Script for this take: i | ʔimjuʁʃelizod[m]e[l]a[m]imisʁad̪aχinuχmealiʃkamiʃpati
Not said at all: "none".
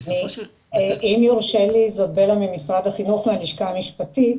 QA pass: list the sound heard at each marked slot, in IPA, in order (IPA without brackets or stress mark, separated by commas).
b, l, m